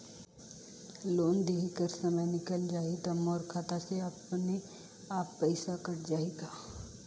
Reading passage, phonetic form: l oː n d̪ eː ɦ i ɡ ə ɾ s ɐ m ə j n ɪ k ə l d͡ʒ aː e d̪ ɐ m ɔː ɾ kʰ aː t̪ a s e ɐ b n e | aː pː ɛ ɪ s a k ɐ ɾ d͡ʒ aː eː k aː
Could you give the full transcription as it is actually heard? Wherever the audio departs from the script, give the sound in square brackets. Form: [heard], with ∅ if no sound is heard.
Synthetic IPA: l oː n d̪ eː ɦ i [k] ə ɾ s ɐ m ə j n ɪ k ə l d͡ʒ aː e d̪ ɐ m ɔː ɾ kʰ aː t̪ a s e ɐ [p] n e | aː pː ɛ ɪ s a k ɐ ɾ d͡ʒ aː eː [ɡ] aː